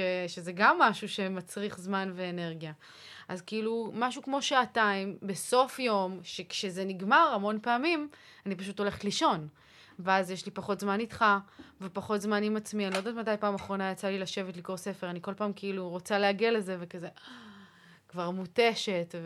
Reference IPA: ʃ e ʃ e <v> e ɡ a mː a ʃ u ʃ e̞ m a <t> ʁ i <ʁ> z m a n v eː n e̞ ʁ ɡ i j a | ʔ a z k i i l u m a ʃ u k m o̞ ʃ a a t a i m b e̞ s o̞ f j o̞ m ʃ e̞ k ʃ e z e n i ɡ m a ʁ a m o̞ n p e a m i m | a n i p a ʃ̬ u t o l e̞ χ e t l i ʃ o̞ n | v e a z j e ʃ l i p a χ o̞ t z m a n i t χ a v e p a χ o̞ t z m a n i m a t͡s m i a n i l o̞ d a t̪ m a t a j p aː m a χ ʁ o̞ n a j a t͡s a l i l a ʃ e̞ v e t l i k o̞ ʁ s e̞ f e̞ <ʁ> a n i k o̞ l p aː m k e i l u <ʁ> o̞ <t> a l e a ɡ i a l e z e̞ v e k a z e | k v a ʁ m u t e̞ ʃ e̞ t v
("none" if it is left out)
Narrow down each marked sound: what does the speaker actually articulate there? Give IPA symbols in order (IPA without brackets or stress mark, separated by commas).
z, t͡s, χ, ʁ, ʁ, t͡s